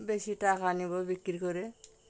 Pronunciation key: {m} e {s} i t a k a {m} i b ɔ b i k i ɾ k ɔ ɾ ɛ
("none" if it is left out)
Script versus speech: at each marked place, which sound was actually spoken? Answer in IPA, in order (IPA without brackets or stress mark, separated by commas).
b, s, n